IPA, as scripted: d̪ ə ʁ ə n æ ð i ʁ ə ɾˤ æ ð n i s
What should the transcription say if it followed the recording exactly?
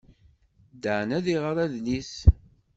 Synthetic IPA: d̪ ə ʕ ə n æ ð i ʁ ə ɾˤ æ ð n i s